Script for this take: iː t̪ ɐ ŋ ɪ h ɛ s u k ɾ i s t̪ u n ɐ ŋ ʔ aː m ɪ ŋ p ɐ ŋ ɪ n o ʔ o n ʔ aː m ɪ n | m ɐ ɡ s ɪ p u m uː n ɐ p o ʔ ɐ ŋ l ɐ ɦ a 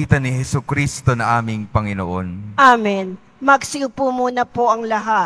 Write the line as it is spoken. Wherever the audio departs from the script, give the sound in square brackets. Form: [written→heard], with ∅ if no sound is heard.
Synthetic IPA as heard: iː t̪ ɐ [ŋ→n] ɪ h ɛ s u k ɾ i s t̪ [u→o] n ɐ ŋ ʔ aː m ɪ ŋ p ɐ ŋ ɪ n o ʔ o n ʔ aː m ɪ n | m ɐ ɡ s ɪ p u m uː n ɐ p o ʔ ɐ ŋ l ɐ ɦ a